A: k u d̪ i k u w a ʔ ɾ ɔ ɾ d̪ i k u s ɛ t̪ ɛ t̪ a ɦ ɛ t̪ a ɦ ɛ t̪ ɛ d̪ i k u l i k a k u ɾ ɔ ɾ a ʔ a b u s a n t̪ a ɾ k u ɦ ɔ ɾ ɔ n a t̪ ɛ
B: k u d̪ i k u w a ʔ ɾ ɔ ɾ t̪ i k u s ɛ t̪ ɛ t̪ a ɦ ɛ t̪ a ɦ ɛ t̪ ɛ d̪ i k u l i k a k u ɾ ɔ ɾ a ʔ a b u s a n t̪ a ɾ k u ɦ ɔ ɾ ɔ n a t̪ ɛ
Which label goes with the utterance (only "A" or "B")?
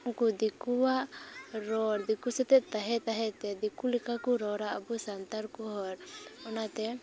A